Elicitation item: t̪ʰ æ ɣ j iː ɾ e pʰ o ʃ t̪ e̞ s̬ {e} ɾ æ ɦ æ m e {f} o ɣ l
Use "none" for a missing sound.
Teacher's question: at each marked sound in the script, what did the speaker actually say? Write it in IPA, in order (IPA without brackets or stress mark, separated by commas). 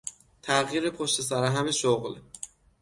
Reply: æ, ʃ